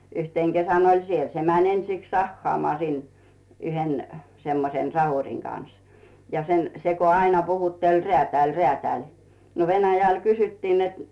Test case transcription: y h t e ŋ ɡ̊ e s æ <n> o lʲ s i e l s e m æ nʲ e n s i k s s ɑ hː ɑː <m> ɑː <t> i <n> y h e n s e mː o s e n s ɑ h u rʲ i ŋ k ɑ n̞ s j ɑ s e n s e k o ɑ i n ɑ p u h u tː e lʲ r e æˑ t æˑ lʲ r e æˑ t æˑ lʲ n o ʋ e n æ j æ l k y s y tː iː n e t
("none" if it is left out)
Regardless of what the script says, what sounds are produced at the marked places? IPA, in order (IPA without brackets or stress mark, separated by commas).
n, m, s, n